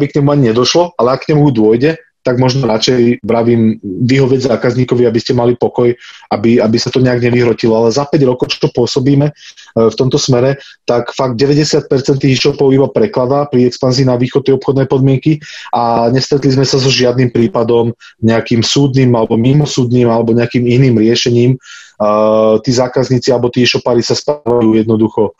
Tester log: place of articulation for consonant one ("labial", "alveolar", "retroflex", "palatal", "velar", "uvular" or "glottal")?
labial